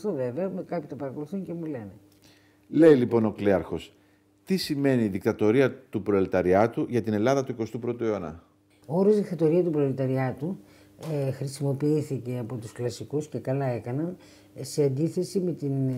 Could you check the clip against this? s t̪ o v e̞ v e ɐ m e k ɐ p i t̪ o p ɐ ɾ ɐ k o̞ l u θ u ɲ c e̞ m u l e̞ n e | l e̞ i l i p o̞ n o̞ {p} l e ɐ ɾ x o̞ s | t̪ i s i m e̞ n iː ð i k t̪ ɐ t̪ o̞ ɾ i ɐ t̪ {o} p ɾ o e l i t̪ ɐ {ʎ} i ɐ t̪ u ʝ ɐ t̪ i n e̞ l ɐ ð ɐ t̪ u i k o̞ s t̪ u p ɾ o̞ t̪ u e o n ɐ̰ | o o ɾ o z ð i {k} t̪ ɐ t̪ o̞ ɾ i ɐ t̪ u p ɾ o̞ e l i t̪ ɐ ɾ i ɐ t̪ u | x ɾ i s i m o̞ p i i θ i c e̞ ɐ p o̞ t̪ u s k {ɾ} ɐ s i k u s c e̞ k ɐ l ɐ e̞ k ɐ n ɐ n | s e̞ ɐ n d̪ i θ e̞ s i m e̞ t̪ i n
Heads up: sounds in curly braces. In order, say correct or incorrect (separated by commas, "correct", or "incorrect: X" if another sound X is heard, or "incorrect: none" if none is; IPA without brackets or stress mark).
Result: incorrect: k, incorrect: u, incorrect: ɾ, correct, incorrect: l